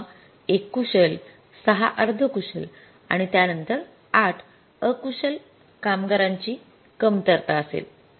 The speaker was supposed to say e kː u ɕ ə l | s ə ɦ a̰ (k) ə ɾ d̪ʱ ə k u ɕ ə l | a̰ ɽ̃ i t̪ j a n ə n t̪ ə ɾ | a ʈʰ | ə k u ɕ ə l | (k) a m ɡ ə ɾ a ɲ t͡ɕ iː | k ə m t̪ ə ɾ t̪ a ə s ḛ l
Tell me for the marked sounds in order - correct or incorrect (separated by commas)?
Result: incorrect, correct